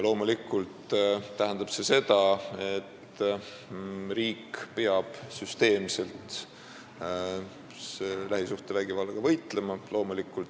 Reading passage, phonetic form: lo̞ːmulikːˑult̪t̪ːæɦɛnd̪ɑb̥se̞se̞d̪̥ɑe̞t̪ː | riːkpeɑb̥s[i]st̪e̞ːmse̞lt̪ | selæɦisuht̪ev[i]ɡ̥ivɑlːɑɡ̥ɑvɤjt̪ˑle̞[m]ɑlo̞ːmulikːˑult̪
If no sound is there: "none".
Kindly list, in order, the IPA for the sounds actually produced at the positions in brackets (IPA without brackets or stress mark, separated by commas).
y, æ, m